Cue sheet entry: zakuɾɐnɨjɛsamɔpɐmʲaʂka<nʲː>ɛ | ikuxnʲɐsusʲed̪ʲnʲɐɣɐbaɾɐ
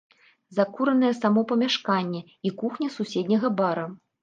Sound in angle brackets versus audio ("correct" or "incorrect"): correct